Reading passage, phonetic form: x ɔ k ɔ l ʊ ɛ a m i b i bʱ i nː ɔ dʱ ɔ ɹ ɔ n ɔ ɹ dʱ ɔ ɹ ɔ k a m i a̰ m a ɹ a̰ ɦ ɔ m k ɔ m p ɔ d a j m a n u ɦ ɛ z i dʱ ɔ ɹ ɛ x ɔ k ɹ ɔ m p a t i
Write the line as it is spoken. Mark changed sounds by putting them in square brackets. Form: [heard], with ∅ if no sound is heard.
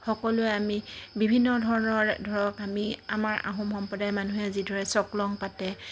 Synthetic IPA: x ɔ k ɔ l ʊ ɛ a m i b i bʱ i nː ɔ dʱ ɔ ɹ ɔ n ɔ ɹ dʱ ɔ ɹ ɔ k a m i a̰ m a ɹ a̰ ɦ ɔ m [x] ɔ m p ɔ d a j m a n u ɦ ɛ z i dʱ ɔ ɹ ɛ [s] ɔ k [l] ɔ [ŋ] p a t [ɛ]